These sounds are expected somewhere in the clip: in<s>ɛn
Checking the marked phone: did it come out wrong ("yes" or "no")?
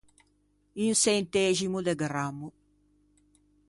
no